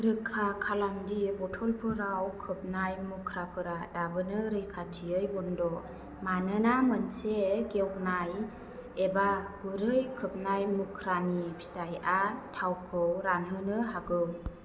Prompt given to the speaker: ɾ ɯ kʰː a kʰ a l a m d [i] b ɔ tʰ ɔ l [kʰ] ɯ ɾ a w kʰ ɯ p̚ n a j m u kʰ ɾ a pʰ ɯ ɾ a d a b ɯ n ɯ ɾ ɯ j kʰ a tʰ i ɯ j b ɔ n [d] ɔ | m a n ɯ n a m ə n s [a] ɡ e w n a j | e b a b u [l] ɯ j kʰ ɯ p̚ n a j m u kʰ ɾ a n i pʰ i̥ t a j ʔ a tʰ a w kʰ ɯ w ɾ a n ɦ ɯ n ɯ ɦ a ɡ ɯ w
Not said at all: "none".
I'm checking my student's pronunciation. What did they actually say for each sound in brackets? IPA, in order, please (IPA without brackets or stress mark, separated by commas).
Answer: i, pʰ, d, e, ɾ